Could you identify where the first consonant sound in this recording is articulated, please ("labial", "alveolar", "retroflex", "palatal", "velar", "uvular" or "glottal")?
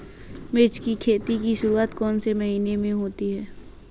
labial